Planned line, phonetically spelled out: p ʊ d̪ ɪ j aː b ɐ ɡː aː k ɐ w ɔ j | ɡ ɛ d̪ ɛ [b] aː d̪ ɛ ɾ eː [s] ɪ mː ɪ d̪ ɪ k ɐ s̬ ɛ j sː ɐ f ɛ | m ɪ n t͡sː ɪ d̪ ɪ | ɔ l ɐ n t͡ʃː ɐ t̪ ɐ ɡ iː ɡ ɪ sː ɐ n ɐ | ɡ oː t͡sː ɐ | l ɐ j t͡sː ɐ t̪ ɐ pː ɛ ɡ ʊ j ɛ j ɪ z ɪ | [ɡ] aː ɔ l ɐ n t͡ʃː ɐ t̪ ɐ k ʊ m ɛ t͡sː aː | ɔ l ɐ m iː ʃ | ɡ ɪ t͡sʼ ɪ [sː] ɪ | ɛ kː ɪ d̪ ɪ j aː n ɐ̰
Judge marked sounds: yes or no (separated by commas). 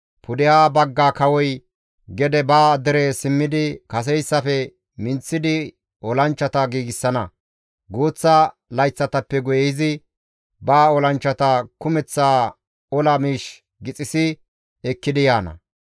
yes, yes, no, no